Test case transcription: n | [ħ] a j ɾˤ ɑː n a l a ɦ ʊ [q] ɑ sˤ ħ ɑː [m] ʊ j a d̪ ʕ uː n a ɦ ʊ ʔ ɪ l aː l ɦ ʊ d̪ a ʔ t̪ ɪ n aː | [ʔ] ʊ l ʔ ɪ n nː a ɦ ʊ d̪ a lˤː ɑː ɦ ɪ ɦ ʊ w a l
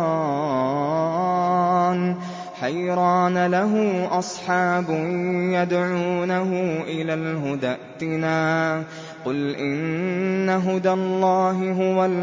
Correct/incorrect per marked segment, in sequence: correct, incorrect, incorrect, incorrect

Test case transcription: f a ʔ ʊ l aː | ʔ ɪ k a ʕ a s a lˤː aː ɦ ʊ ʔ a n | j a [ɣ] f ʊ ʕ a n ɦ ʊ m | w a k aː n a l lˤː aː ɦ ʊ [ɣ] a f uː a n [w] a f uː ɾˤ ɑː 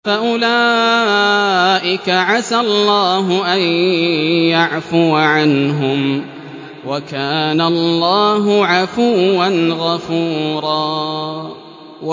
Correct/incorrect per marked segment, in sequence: incorrect, incorrect, incorrect

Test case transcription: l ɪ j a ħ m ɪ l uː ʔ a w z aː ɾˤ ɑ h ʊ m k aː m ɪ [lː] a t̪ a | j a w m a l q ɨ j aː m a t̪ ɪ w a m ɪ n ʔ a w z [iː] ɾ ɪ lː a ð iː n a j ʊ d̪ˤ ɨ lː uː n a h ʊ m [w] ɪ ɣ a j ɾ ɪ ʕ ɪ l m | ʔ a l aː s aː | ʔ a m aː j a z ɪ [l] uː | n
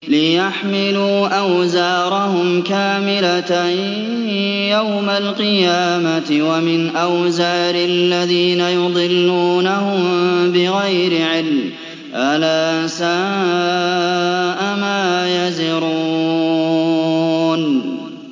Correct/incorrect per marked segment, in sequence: incorrect, incorrect, incorrect, incorrect

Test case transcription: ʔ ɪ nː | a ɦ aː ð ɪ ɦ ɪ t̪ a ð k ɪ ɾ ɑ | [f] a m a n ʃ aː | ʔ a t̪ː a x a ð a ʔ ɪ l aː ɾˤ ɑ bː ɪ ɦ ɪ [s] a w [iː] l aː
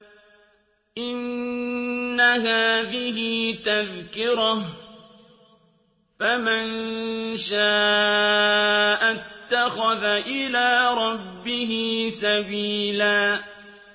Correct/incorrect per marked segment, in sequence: correct, correct, correct

